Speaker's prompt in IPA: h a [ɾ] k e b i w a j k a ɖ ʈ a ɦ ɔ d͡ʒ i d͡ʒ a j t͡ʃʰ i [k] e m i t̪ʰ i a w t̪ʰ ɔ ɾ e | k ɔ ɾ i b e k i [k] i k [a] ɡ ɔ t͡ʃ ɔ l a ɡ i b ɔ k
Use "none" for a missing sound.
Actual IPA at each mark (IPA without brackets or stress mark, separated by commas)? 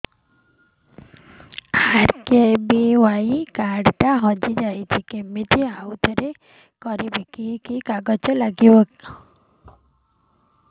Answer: ɾ, k, k, a